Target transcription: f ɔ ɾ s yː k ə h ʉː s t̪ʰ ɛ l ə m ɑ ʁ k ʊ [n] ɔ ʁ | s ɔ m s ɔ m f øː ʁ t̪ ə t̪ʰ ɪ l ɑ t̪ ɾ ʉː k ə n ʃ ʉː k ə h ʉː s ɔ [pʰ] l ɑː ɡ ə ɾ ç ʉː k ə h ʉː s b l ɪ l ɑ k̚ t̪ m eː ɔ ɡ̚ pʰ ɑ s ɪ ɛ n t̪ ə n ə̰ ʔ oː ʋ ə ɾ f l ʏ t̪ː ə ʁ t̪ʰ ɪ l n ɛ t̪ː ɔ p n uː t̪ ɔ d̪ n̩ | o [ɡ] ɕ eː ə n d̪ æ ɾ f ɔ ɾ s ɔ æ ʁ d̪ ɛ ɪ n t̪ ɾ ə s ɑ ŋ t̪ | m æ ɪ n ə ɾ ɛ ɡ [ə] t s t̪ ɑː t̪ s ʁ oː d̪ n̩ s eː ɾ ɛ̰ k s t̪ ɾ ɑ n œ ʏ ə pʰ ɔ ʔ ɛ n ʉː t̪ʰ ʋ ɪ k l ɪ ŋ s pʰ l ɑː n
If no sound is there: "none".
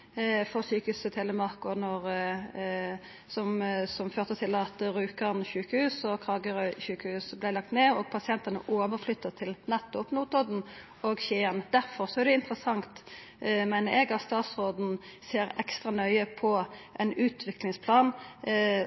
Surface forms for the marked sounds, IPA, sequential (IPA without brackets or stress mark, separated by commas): n, kʰ, ɡ, ɑ